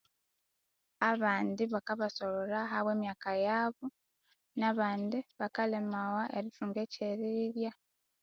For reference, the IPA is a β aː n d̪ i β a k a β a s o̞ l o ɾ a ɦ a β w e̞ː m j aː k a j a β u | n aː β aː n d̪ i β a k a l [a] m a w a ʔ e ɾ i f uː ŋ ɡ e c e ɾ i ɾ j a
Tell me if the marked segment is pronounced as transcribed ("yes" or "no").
no